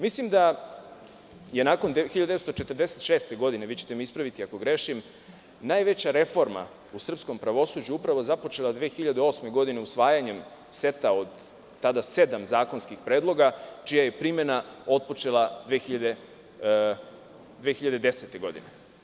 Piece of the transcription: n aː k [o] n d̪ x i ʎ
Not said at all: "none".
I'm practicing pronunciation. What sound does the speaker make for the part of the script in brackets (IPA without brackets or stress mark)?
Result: o